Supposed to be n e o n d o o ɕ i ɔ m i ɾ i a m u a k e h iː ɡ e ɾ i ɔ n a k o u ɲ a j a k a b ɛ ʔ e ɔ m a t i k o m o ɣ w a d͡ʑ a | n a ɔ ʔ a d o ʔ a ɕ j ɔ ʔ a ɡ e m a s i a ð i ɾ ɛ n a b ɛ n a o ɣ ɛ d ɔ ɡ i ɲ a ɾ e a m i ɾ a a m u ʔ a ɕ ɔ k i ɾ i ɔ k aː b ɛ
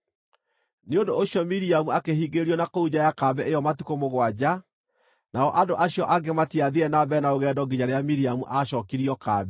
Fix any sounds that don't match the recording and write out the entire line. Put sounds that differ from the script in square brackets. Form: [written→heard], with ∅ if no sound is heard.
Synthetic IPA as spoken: n e o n d o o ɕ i ɔ m i ɾ i a m u a k e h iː ɡ e ɾ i ɔ n a k o u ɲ a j a k a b ɛ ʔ e ɔ m a t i k o m o ɣ w a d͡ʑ a | n a ɔ ʔ a d o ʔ a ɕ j ɔ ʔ a ɡ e m a [s→t] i a ð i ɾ ɛ n a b ɛ n a o ɣ ɛ d ɔ ɡ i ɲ a ɾ e a m i ɾ [a→i] a m u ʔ a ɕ ɔ k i ɾ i ɔ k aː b ɛ